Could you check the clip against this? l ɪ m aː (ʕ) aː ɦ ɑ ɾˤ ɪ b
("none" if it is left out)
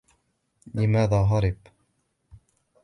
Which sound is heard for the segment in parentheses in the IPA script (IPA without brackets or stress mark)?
ð